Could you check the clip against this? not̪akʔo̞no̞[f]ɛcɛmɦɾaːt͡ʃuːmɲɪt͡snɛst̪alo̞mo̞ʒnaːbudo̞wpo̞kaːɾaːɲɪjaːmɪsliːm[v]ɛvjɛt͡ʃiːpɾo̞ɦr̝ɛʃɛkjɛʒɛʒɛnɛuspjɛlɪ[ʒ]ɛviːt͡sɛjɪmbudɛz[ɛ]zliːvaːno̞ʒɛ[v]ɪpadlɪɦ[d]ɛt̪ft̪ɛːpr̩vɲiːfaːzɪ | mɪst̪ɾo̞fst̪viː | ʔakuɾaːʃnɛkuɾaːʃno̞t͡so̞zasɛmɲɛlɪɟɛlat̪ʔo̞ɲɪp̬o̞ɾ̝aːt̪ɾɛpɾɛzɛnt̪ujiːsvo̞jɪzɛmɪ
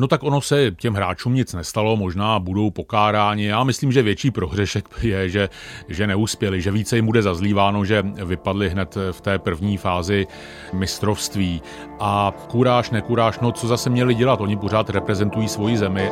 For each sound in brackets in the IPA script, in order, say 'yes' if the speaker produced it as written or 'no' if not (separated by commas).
no, no, yes, no, yes, no